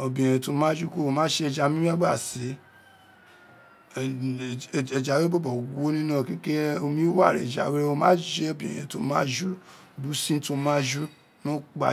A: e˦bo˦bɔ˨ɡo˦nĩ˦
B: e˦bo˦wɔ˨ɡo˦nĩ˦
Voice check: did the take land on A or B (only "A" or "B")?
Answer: A